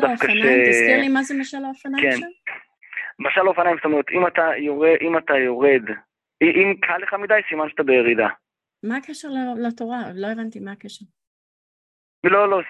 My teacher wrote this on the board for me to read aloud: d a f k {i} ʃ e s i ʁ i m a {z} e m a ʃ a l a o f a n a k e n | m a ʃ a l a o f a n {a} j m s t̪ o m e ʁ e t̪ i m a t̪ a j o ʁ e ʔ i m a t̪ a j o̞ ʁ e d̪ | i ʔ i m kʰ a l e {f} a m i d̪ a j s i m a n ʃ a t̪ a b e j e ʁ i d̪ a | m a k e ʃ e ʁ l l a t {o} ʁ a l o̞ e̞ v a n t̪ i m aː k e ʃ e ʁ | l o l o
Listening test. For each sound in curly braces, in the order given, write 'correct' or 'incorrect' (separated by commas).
incorrect, correct, correct, incorrect, correct